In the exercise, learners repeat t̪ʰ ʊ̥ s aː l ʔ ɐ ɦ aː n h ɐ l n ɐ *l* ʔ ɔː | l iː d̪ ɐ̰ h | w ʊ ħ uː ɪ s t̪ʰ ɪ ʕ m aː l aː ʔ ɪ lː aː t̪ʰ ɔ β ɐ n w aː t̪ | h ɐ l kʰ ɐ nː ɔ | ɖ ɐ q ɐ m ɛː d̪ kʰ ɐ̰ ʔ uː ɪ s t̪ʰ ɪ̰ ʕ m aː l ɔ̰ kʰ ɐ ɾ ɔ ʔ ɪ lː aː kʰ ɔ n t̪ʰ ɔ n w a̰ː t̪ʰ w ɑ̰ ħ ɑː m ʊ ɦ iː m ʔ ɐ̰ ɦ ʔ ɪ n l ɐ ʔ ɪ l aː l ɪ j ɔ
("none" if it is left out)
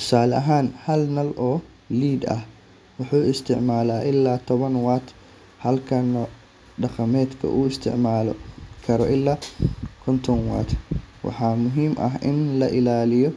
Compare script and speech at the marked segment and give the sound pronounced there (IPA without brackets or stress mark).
l